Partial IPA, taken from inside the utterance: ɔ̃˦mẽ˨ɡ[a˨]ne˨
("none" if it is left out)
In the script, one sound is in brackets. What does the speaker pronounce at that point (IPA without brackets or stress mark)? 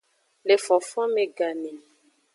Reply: a˨